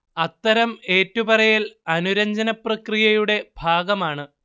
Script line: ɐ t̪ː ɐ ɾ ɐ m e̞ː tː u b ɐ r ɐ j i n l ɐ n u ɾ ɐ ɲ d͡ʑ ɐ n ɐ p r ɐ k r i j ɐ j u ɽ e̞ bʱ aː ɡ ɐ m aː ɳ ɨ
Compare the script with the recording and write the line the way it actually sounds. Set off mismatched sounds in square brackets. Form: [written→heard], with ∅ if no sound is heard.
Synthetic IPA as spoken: ɐ t̪ː ɐ ɾ ɐ m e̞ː tː u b ɐ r ɐ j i [n→∅] l ɐ n u ɾ ɐ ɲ d͡ʑ ɐ n ɐ p r ɐ k r i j ɐ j u ɽ e̞ bʱ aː ɡ ɐ m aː ɳ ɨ